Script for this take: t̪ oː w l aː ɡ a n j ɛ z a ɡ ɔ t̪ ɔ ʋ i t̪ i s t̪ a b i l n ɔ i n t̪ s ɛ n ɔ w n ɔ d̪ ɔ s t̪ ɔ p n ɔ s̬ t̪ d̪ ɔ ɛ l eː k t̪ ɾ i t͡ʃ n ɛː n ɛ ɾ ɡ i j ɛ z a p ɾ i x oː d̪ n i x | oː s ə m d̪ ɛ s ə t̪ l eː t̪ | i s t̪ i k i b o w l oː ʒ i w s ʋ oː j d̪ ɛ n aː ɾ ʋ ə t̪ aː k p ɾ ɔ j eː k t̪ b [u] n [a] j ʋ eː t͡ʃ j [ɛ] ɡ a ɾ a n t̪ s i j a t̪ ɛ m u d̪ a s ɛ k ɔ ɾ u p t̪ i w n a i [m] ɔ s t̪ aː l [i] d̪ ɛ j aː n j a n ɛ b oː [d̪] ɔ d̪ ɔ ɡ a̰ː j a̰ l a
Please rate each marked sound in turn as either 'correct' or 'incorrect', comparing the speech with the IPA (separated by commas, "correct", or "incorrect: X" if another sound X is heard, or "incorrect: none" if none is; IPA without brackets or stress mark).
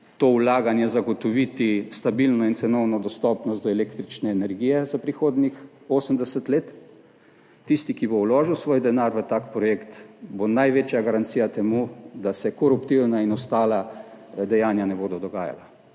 incorrect: o, correct, incorrect: a, incorrect: n, incorrect: a, correct